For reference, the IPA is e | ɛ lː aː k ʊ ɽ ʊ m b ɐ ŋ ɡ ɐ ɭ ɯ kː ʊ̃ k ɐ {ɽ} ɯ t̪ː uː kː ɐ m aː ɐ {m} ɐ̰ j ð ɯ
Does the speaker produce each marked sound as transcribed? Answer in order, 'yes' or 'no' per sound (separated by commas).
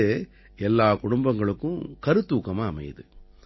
no, yes